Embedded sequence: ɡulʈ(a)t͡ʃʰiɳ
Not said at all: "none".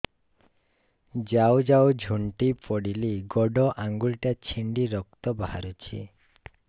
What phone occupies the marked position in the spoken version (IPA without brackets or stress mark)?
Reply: a